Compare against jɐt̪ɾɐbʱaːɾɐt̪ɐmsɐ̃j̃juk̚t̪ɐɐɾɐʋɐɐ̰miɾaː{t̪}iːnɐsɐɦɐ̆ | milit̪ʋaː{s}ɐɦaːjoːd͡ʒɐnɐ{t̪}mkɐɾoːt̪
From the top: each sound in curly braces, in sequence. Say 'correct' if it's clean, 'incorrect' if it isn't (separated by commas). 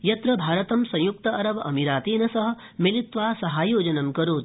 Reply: correct, correct, incorrect